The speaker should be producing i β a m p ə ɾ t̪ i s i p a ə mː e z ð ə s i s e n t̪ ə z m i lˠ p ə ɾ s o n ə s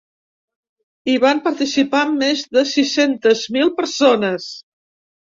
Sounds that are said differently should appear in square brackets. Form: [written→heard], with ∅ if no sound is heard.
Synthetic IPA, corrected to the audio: i β a m p ə ɾ t̪ i s i p a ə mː e z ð ə s i s e n t̪ ə z m i lˠ p ə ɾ s o n ə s